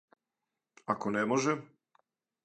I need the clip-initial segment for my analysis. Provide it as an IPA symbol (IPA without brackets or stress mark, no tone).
a